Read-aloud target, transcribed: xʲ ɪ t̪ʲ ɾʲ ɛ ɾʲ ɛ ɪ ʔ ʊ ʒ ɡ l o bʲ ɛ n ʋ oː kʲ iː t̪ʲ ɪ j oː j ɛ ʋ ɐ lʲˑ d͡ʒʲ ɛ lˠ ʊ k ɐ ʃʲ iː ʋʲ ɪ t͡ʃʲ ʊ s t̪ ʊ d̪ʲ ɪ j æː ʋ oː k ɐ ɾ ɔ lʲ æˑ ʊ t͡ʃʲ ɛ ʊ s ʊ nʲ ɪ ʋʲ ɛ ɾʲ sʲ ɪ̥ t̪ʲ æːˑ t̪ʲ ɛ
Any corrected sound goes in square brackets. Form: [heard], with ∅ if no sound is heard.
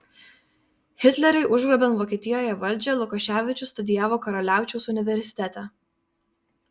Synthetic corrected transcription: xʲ ɪ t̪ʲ [lʲ] ɛ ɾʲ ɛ ɪ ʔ ʊ ʒ ɡ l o bʲ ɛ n ʋ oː kʲ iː t̪ʲ ɪ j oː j ɛ ʋ ɐ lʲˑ d͡ʒʲ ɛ lˠ ʊ k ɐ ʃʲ [æː] ʋʲ ɪ t͡ʃʲ ʊ s t̪ ʊ d̪ʲ ɪ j æː ʋ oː k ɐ ɾ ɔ lʲ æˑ ʊ t͡ʃʲ ɛ ʊ s ʊ nʲ ɪ ʋʲ ɛ ɾʲ sʲ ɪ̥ t̪ʲ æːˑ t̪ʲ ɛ

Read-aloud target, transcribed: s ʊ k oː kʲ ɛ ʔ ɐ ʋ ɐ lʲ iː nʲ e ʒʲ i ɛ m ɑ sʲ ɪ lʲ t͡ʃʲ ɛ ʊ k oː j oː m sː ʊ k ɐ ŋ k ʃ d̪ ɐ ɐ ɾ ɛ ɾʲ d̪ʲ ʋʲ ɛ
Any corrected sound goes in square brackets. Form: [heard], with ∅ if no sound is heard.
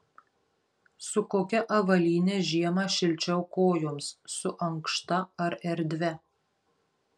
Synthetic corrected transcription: s ʊ k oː kʲ ɛ ʔ ɐ ʋ ɐ lʲ iː nʲ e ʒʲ i ɛ m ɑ [ʃʲ] ɪ lʲ t͡ʃʲ ɛ ʊ k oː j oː m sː ʊ [ʔ] ɐ ŋ k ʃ [t̪] ɐ ɐ ɾ ɛ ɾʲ d̪ʲ ʋʲ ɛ

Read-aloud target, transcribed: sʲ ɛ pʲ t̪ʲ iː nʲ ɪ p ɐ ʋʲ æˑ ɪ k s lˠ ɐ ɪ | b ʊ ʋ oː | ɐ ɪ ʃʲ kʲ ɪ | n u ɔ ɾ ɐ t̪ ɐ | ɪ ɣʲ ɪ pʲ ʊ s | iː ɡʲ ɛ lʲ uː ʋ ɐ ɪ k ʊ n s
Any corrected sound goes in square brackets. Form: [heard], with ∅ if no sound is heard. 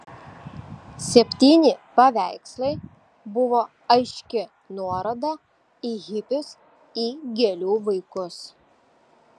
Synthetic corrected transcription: sʲ ɛ pʲ t̪ʲ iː nʲ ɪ p ɐ ʋʲ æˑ ɪ k s lˠ ɐ ɪ | b ʊ ʋ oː | ɐ ɪ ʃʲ kʲ ɪ | n u ɔ ɾ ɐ [d̪] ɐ | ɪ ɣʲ ɪ pʲ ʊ s | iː ɡʲ ɛ lʲ uː ʋ ɐ ɪ k ʊ [∅] s

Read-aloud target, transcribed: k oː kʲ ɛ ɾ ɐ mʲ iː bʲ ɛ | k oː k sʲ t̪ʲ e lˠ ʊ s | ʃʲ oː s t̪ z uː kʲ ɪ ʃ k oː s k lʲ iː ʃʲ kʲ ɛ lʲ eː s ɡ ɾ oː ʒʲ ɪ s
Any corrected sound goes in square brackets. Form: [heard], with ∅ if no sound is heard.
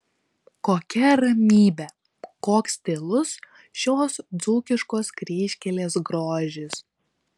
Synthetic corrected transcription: k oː kʲ ɛ ɾ ɐ mʲ iː bʲ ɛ | k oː k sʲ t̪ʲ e lˠ ʊ s | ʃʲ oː s [d̪] z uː kʲ ɪ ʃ k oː s k [ɾʲ] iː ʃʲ kʲ ɛ lʲ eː s ɡ ɾ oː ʒʲ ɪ s

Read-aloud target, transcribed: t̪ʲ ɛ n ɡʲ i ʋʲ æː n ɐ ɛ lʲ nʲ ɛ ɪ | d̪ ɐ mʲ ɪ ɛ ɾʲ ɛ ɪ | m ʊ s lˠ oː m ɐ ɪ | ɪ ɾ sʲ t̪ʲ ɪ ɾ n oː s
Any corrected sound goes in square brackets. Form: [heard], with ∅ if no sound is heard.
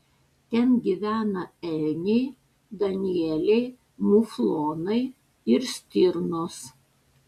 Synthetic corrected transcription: t̪ʲ ɛ n ɡʲ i ʋʲ æː n ɐ ɛ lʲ nʲ ɛ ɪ | d̪ ɐ [nʲ] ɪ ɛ [lʲ] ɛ ɪ | m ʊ [f] lˠ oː [n] ɐ ɪ | ɪ ɾ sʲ t̪ʲ ɪ ɾ n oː s

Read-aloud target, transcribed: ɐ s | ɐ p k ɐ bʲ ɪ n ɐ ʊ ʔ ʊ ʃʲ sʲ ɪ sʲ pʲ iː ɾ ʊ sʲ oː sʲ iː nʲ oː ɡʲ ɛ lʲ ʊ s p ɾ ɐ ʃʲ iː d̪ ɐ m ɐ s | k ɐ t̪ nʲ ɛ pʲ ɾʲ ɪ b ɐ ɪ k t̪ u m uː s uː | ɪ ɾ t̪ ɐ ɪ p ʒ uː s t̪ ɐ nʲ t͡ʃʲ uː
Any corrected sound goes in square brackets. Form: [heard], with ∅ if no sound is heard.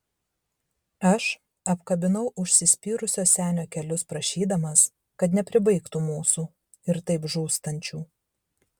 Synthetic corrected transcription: ɐ [ʃ] | ɐ p k ɐ bʲ ɪ n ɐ ʊ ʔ ʊ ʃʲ sʲ ɪ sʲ pʲ iː ɾ ʊ sʲ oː sʲ [æː] nʲ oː [kʲ] ɛ lʲ ʊ s p ɾ ɐ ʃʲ iː d̪ ɐ m ɐ s | k ɐ t̪ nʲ ɛ pʲ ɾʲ ɪ b ɐ ɪ k t̪ u m uː s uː | ɪ ɾ t̪ ɐ ɪ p ʒ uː s t̪ ɐ nʲ t͡ʃʲ uː

